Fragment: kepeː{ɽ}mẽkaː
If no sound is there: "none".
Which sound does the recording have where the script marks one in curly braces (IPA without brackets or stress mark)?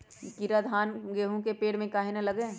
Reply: ɽ